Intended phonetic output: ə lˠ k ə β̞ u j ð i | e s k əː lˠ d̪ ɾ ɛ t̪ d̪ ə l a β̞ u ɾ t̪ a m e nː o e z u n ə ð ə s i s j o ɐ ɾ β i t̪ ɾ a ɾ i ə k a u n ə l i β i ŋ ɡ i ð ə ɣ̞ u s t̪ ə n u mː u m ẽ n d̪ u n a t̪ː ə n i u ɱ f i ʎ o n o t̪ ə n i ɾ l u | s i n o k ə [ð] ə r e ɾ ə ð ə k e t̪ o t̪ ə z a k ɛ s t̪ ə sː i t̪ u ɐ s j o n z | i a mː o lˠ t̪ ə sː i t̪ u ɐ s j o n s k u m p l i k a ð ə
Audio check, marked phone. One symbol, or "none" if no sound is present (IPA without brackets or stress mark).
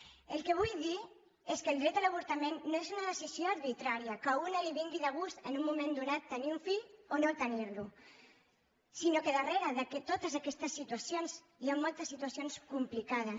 ð